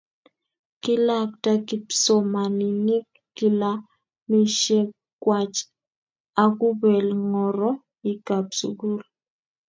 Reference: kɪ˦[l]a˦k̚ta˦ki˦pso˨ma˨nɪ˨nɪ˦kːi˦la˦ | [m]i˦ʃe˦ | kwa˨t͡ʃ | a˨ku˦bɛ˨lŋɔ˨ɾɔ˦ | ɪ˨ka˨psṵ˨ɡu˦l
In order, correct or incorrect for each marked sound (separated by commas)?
correct, correct